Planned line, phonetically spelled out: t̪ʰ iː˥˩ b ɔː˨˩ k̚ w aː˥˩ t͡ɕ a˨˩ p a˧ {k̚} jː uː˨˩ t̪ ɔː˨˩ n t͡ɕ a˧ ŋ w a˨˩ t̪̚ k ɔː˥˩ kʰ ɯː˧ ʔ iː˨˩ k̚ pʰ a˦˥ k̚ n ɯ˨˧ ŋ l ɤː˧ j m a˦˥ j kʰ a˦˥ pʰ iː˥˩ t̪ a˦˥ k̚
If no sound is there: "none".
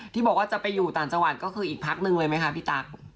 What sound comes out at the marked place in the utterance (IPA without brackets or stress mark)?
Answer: none